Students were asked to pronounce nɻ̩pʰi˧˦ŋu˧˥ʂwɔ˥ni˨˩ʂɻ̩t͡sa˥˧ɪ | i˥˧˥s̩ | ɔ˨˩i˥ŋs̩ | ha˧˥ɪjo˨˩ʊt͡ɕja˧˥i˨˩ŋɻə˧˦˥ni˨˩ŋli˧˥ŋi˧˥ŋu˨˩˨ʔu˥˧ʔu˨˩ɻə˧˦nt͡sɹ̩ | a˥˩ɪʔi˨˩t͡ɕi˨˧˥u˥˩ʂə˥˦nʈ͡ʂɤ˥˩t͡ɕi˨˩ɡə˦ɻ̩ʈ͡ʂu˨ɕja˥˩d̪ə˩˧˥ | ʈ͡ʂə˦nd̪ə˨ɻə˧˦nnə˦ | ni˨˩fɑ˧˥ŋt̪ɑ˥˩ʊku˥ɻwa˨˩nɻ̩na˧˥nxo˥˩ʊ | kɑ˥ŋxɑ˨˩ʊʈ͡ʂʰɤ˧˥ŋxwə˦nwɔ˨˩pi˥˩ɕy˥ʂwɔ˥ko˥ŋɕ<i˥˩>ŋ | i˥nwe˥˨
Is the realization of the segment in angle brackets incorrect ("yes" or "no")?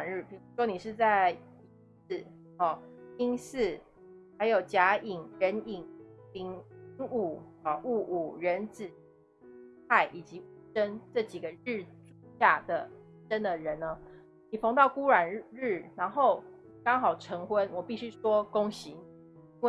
yes